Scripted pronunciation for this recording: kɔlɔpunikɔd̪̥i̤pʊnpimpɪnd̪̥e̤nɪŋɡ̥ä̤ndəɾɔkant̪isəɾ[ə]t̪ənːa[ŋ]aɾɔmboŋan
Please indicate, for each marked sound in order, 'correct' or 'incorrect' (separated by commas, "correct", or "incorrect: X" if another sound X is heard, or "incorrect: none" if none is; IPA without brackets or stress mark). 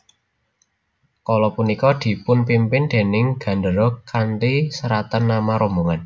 incorrect: a, incorrect: m